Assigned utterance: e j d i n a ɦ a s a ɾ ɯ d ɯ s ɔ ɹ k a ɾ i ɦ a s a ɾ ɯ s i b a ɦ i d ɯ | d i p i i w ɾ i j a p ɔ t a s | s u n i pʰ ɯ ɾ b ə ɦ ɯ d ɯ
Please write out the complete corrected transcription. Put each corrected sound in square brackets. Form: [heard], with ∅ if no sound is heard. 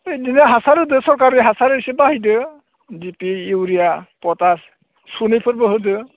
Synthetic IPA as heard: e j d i n a ɦ a s a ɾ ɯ d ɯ s ɔ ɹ k a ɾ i ɦ a s a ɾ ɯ s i b a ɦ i d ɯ | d i p i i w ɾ i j a p ɔ t a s | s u n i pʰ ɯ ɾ b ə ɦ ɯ d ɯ

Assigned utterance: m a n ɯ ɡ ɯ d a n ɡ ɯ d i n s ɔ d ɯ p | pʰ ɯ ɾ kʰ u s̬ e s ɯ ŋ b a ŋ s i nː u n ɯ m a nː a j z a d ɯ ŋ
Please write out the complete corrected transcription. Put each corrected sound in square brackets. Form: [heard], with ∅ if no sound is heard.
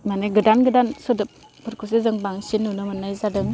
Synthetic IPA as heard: m a n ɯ ɡ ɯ d a n ɡ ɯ d [a] n s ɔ d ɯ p | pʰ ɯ ɾ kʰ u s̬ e [z] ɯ ŋ b a ŋ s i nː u n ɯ m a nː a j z a d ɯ ŋ

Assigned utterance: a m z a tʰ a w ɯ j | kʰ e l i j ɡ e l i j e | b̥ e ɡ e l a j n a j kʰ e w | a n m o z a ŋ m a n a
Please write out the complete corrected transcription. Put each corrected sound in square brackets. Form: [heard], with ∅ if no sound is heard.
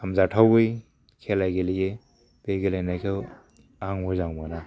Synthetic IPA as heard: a m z a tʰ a w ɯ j | kʰ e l [a] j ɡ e l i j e | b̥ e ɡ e l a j n a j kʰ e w | a [ŋ] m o z a ŋ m a n a

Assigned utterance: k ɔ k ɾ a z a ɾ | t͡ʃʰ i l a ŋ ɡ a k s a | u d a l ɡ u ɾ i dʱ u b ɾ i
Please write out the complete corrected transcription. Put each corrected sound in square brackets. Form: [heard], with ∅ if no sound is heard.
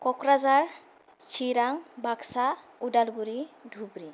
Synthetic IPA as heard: k ɔ k ɾ a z a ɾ | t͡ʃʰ i [ɾ] a ŋ [b] a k s a | u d a l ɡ u ɾ i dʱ u b ɾ i

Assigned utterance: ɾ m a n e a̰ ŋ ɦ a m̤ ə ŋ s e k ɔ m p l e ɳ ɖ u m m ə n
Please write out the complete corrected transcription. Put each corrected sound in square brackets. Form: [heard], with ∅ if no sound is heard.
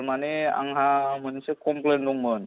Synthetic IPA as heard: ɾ m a n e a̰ ŋ ɦ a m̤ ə [n] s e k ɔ m p l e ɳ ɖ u [ŋ] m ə n

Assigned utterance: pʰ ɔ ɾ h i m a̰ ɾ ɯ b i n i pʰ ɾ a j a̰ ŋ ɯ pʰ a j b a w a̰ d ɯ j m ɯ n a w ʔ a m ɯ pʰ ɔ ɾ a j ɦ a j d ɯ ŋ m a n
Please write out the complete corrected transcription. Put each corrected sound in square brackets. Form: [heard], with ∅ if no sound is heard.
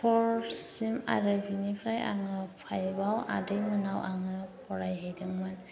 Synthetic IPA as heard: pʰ ɔ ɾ [s] i m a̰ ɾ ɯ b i n i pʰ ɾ a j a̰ ŋ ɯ pʰ a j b a w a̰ d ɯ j m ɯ n a w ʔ a [ŋ] ɯ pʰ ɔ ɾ a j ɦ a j d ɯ ŋ m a n

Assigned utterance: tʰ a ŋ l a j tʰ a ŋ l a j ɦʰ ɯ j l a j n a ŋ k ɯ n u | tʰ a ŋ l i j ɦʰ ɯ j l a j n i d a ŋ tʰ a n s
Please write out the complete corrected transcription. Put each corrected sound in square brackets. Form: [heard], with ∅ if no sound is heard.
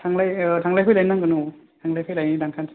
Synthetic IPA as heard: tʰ a ŋ l a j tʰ a ŋ l a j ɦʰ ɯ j l a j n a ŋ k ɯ n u | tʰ a ŋ l [a] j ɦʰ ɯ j l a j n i d a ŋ [kʰ] a n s

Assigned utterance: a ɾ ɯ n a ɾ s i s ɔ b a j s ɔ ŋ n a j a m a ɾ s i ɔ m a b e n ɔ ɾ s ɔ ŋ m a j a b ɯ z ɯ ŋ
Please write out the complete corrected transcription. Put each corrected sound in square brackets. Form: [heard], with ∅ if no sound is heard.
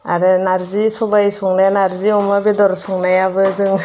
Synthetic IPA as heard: a ɾ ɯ n a ɾ [z] i s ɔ b a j s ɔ ŋ n a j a [n] a ɾ [z] i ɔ m a b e [d] ɔ ɾ s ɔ ŋ [n] a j a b ɯ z ɯ ŋ

